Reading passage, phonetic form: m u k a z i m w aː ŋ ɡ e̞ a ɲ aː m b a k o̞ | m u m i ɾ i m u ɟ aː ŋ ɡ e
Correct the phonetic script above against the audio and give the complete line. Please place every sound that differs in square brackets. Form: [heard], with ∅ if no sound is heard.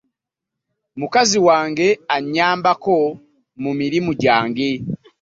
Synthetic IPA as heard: m u k a z i [∅] w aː ŋ ɡ e̞ a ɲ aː m b a k o̞ | m u m i ɾ i m u ɟ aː ŋ ɡ e